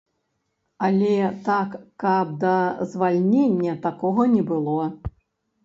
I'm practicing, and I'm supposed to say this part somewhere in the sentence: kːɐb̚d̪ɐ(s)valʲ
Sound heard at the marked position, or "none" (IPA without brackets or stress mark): z